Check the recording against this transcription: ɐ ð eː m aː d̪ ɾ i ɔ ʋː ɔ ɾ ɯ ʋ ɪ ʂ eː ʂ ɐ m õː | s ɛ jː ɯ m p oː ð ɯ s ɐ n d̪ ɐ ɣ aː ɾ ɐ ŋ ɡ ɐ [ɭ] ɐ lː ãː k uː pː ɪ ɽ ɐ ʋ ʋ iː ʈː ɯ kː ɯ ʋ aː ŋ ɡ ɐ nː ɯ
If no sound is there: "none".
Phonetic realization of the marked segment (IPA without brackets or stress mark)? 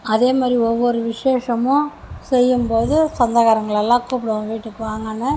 ɭ